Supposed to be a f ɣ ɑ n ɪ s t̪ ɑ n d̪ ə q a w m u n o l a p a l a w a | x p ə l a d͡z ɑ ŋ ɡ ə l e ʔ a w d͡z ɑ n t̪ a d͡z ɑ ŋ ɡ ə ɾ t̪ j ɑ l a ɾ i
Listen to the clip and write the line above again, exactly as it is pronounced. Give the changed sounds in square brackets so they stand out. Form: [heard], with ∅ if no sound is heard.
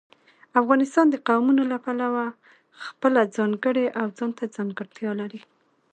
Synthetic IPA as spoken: a f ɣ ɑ n ɪ s t̪ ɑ n d̪ ə q a w m u n o l a p a l a w a | x p ə l a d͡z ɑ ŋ ɡ ə [ɽ] e ʔ a w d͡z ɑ n t̪ a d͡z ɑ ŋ ɡ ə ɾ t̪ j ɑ l a ɾ i